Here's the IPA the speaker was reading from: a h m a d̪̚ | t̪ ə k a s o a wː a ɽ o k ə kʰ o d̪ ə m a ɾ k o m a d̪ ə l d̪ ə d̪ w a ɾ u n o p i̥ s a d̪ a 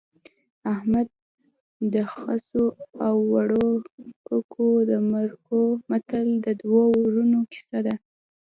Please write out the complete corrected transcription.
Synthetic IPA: a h m a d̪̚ | d̪ ə x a s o a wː a ɽ o k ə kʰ o d̪ ə m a ɾ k o m a t̪ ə l d̪ ə d̪ w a ɾ u n o k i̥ s a d̪ a